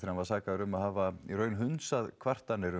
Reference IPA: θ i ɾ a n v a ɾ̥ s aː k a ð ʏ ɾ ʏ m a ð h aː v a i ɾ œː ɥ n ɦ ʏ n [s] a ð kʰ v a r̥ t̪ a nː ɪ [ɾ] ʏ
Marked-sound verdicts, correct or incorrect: correct, correct

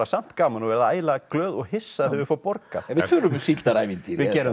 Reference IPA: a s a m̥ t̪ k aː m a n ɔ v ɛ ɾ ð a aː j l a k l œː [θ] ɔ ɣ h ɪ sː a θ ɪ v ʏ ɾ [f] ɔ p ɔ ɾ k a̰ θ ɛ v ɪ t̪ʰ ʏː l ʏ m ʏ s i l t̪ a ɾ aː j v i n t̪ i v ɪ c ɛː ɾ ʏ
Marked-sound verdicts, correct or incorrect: incorrect: ð, correct

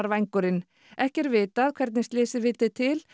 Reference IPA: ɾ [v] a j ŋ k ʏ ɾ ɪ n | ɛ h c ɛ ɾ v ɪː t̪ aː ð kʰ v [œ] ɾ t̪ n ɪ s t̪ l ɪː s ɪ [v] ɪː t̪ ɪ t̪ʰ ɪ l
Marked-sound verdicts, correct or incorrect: correct, incorrect: ɛ, correct

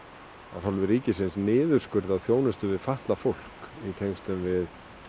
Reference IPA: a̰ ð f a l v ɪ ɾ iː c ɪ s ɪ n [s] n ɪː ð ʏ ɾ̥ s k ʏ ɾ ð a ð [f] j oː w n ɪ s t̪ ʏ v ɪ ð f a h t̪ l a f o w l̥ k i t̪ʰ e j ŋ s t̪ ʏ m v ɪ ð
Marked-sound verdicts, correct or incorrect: correct, incorrect: θ

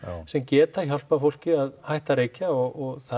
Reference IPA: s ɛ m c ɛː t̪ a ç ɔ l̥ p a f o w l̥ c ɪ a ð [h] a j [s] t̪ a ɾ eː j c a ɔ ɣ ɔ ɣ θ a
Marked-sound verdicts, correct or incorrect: correct, incorrect: h

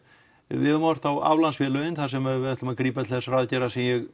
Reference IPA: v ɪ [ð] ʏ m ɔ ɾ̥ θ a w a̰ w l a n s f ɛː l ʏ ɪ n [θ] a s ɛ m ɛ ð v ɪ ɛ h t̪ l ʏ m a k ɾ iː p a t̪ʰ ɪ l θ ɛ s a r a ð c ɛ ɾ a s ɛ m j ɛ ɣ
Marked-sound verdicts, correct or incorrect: correct, correct

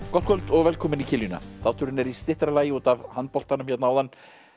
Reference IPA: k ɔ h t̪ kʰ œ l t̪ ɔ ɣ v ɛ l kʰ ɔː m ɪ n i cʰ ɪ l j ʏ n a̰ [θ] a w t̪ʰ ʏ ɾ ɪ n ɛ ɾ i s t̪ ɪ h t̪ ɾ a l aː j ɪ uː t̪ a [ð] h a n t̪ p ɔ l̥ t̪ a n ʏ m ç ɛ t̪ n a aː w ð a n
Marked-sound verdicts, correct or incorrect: correct, incorrect: v

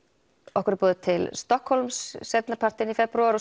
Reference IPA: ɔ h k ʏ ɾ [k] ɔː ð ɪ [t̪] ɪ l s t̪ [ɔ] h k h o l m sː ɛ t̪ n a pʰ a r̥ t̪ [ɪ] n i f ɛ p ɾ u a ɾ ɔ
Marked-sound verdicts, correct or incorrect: incorrect: p, incorrect: t̪ʰ, correct, correct

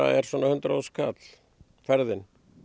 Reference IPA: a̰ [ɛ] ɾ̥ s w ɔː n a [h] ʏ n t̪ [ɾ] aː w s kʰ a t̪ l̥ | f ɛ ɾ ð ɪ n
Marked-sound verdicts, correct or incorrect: correct, correct, correct

